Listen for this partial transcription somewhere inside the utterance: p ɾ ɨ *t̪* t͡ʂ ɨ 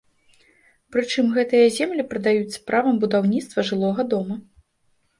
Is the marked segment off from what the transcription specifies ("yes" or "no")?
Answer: yes